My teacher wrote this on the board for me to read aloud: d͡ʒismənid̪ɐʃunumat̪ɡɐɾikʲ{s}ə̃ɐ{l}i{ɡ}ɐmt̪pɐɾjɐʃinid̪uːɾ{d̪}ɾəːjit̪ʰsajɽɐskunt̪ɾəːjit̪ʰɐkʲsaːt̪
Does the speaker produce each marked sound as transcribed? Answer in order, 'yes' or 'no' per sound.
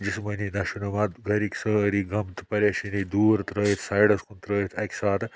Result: yes, no, yes, no

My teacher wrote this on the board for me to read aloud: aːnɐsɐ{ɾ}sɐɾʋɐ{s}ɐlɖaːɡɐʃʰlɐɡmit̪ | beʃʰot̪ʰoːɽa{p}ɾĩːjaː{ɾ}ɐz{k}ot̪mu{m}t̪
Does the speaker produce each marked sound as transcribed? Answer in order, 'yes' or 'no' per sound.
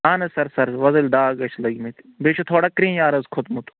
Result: yes, no, no, yes, no, no

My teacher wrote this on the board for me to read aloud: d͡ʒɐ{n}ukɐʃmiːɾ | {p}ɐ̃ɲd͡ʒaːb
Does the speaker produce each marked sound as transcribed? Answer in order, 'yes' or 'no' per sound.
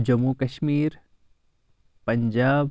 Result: no, yes

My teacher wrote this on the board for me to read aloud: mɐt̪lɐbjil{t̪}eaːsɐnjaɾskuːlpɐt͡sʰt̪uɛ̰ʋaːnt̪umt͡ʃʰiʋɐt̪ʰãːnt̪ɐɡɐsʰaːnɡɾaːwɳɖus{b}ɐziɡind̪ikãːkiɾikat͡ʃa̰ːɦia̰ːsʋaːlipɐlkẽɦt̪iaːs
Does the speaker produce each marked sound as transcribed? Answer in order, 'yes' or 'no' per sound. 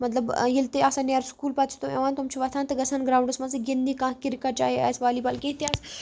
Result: yes, no

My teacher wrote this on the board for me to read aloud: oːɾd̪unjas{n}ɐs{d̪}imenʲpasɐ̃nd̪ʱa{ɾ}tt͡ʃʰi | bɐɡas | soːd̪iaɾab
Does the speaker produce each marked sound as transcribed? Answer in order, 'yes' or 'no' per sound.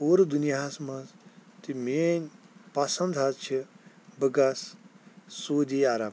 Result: no, no, no

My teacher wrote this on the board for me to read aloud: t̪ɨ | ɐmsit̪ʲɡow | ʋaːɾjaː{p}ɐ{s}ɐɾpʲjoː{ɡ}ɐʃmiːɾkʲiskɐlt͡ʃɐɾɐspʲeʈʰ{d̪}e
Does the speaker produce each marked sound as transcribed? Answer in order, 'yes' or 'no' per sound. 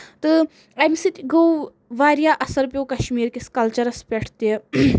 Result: no, yes, no, no

